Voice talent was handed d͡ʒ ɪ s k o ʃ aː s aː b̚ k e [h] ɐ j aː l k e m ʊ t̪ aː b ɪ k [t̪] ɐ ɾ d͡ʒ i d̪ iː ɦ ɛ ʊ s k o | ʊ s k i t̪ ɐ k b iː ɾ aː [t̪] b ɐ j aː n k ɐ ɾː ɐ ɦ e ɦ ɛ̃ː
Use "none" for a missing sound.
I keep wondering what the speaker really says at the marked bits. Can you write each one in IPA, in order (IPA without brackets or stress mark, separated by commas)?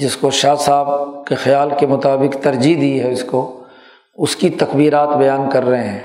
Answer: x, t̪, t̪